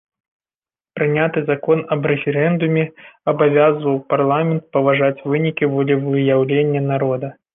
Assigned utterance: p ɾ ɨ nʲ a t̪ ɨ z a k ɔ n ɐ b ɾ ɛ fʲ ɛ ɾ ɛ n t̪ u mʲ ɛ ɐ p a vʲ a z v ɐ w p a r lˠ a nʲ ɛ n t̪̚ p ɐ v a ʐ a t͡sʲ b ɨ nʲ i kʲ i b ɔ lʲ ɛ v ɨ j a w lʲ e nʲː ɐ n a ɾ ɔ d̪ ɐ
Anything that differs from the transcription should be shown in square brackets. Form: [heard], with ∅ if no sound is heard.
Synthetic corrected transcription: p ɾ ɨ nʲ a t̪ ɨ z a k ɔ n ɐ b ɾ ɛ fʲ ɛ ɾ ɛ n [d̪] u mʲ ɛ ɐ [b] a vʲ a z v ɐ w p a r lˠ a [mʲ] ɛ n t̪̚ p ɐ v a ʐ a t͡sʲ [v] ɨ nʲ i kʲ i [v] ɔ lʲ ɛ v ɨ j a w lʲ e nʲː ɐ n a ɾ ɔ d̪ ɐ

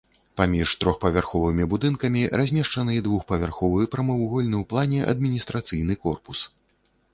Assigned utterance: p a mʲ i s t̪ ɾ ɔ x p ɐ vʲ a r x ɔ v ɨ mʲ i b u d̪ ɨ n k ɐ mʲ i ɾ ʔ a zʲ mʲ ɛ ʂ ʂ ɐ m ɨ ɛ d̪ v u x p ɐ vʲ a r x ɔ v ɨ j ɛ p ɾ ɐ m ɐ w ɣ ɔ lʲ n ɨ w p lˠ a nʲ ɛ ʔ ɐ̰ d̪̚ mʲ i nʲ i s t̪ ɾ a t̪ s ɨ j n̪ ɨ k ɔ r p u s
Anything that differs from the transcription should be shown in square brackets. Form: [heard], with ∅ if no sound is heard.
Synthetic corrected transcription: p a mʲ i [ʂ] t̪ ɾ ɔ x p ɐ vʲ a r x ɔ v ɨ mʲ i b u d̪ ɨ n k ɐ mʲ i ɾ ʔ a zʲ mʲ ɛ ʂ [t͡ʂ] ɐ [n] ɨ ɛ d̪ v u x p ɐ vʲ a r x ɔ v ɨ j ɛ p ɾ ɐ m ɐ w ɣ ɔ lʲ n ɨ w p lˠ a nʲ ɛ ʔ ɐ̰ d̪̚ mʲ i nʲ i s t̪ ɾ a t̪ s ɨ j n̪ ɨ k ɔ r p u s

